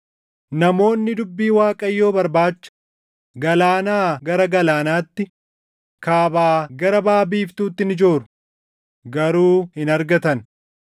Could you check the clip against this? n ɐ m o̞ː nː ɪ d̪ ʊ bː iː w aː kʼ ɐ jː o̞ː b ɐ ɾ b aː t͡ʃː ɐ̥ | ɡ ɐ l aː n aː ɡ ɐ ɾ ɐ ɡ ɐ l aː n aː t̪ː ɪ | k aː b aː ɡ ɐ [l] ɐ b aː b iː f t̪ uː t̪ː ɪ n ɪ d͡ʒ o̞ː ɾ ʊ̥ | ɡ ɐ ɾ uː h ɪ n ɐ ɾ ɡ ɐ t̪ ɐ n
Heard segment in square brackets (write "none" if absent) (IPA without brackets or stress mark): ɾ